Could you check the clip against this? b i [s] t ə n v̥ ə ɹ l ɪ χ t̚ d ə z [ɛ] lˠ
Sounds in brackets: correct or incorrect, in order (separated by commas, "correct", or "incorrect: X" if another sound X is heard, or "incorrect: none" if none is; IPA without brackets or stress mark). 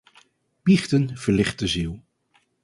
incorrect: χ, incorrect: i